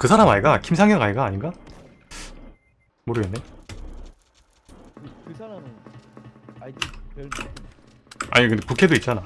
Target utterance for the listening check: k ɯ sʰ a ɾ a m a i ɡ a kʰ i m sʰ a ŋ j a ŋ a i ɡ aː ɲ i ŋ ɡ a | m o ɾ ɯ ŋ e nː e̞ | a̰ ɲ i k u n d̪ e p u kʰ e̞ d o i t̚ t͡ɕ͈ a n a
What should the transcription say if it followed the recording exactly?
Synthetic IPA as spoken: k ɯ sʰ a ɾ a m a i ɡ a kʰ i m sʰ a ŋ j ʌ ŋ a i ɡ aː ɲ i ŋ ɡ a | m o ɾ ɯ ɡ e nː e̞ | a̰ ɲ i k ɯ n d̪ e p u kʰ e̞ d o i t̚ t͡ɕ͈ a n a